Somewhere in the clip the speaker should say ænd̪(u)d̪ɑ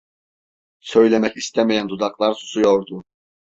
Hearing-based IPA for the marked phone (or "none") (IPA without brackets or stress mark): u